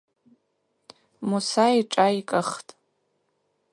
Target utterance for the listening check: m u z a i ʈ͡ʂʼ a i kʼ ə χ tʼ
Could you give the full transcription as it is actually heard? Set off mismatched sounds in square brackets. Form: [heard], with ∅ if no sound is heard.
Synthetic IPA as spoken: m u [s] a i ʈ͡ʂʼ a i kʼ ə χ tʼ